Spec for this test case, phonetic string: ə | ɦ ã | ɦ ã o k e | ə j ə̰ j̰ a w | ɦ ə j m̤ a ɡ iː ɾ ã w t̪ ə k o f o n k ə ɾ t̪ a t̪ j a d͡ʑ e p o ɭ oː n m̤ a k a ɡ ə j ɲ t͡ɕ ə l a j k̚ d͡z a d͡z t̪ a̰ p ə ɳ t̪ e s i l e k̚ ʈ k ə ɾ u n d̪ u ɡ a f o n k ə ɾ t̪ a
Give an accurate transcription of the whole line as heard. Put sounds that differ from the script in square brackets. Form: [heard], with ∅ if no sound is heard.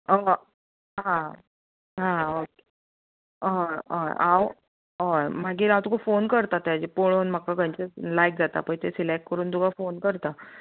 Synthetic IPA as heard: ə | ɦ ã | ɦ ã o k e | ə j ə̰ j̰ a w | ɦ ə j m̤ a ɡ iː ɾ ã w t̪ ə k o f o n k ə ɾ t̪ a t̪ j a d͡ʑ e p o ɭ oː n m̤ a k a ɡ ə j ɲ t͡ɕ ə l a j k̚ d͡z a [∅] t̪ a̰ p ə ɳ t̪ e s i l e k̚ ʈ k ə ɾ [uː] n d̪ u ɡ a f o n k ə ɾ t̪ a